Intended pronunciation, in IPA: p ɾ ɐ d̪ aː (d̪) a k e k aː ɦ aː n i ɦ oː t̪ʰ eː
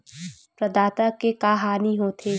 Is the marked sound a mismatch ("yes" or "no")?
yes